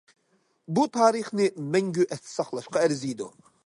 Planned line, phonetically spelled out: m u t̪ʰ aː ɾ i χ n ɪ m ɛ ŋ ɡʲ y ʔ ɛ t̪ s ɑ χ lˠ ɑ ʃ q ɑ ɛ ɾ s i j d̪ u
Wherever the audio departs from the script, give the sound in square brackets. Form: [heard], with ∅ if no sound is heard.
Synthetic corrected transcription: [b] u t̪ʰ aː ɾ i χ n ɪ m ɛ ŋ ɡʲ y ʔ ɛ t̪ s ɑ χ lˠ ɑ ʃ q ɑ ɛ ɾ [z] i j d̪ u